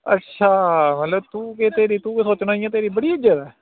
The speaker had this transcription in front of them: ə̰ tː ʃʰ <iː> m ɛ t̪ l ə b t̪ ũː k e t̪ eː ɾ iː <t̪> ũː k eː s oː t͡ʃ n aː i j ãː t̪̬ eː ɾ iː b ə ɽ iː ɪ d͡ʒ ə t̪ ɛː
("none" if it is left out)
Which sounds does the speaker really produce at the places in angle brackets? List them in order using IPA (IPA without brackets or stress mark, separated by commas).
aː, t̪